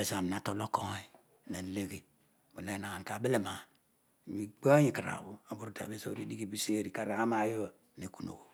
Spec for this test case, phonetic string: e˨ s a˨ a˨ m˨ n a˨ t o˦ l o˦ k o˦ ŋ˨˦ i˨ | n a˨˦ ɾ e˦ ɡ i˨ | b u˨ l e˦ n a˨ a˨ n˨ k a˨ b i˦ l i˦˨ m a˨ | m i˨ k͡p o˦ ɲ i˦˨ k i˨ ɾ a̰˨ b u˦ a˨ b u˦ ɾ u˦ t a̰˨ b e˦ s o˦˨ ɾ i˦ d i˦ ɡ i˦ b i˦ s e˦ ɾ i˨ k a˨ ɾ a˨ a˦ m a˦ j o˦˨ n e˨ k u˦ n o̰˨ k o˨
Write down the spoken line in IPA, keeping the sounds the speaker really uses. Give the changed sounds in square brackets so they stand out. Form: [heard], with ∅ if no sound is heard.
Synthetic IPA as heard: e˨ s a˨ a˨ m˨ n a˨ t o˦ l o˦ k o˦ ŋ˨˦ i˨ | n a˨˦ [l] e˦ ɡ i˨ | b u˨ l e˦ n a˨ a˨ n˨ k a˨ b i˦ l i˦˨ m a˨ | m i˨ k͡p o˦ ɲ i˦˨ k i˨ ɾ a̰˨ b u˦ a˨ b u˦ ɾ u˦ t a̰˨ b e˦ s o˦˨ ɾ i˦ d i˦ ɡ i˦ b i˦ s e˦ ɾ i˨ k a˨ ɾ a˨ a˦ m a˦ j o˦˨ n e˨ k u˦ n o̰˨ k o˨